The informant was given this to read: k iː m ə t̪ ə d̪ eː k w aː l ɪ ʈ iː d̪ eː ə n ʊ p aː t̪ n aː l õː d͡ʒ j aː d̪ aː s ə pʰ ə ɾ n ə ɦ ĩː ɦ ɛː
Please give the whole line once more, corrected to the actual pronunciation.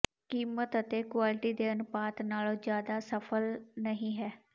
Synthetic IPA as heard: k iː m ə t̪ ə t̪ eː k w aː l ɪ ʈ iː d̪ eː ə n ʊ p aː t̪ n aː l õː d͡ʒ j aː d̪ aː s ə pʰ ə l n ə ɦ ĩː ɦ ɛː